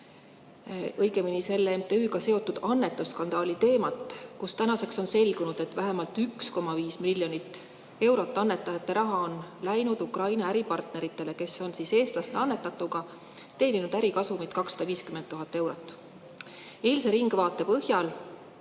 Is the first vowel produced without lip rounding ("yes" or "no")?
yes